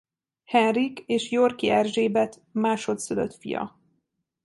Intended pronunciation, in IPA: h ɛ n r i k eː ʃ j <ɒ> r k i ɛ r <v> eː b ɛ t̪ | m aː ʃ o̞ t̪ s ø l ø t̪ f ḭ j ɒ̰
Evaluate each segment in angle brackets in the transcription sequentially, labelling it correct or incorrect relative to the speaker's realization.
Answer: incorrect: o, incorrect: ʒ

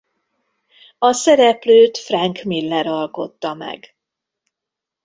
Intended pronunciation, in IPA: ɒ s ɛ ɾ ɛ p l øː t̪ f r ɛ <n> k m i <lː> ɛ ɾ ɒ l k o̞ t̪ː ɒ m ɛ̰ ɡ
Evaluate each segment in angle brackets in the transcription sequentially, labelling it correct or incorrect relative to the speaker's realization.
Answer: incorrect: ŋ, correct

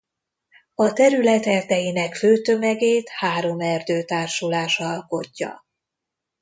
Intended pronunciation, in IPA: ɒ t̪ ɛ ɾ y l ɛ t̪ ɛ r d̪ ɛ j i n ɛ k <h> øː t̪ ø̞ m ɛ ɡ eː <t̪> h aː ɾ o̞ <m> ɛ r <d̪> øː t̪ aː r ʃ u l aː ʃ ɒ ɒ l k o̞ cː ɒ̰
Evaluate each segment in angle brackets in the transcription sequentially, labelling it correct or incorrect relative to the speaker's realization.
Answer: incorrect: f, correct, correct, correct

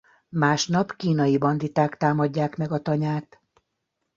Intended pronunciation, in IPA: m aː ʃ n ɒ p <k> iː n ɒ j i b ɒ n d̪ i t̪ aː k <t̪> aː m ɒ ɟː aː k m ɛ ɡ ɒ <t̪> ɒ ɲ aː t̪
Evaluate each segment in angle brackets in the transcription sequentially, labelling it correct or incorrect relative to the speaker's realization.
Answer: correct, correct, correct

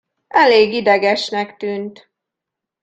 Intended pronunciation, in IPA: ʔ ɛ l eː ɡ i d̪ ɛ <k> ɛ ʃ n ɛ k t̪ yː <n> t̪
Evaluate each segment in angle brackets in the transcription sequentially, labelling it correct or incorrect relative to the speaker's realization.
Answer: incorrect: ɡ, correct

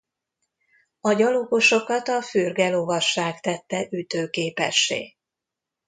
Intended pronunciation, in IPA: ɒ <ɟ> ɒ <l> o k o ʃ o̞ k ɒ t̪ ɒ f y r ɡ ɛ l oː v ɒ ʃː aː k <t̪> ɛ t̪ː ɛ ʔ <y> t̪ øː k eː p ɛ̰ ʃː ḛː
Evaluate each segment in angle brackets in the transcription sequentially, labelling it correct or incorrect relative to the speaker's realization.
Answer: correct, correct, correct, correct

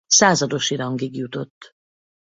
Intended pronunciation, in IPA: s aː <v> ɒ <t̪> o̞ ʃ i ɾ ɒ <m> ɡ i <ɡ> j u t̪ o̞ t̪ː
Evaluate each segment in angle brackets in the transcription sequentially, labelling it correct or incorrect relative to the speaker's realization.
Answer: incorrect: z, incorrect: d̪, incorrect: ŋ, correct

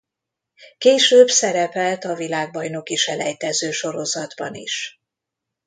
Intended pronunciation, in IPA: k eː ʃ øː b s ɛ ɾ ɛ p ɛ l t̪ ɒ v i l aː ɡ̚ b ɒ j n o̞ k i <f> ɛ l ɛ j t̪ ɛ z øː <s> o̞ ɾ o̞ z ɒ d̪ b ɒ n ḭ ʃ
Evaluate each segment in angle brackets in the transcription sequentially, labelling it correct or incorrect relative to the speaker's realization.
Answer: incorrect: ʃ, incorrect: ʃ

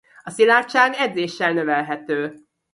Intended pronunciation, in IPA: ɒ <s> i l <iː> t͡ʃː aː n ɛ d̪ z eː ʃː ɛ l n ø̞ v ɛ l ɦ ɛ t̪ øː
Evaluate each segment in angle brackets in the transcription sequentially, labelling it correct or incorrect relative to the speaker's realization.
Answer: correct, incorrect: aː

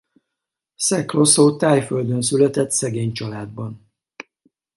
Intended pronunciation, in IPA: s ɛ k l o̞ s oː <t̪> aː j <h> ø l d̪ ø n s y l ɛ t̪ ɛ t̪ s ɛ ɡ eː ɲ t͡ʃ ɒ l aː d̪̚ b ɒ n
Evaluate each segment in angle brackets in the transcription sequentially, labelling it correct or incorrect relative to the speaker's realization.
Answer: correct, incorrect: f

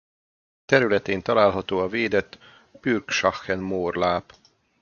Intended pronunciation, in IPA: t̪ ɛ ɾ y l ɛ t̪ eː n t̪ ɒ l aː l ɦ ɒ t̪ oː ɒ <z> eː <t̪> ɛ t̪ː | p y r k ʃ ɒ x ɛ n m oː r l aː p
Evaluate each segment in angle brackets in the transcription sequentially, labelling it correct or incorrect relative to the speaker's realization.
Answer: incorrect: v, incorrect: d̪

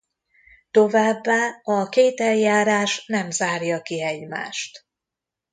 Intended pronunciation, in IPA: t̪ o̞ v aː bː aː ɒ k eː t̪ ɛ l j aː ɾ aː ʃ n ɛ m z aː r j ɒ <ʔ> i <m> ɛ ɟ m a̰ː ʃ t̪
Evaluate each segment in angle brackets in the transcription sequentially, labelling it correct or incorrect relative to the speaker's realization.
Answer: incorrect: k, incorrect: none

